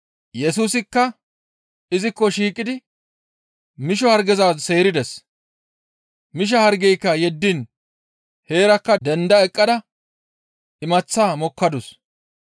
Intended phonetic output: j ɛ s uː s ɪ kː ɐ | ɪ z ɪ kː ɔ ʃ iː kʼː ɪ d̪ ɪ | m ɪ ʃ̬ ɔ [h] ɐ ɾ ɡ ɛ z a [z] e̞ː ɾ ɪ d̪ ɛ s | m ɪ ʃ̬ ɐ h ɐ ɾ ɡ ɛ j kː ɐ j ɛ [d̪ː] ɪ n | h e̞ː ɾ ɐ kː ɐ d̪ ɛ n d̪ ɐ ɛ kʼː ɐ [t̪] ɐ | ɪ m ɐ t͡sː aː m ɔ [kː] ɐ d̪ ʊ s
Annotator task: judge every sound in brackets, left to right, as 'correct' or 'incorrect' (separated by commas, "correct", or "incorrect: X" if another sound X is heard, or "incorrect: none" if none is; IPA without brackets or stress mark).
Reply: correct, incorrect: s, correct, incorrect: d̪, correct